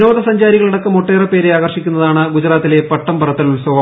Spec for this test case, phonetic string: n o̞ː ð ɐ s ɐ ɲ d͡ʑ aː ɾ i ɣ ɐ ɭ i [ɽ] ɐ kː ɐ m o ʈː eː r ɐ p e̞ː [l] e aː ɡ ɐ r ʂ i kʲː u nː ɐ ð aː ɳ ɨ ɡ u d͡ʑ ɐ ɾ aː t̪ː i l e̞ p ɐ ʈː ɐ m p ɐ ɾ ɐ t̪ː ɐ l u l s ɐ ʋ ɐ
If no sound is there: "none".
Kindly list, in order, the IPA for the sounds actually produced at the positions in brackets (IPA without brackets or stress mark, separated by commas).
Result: ɽ, ɾ